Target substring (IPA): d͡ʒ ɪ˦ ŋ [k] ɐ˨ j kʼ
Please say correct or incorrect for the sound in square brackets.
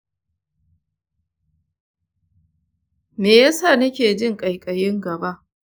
incorrect